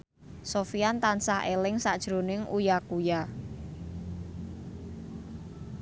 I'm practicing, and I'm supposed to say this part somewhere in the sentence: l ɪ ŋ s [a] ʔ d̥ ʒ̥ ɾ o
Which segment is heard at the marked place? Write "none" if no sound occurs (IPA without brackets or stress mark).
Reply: a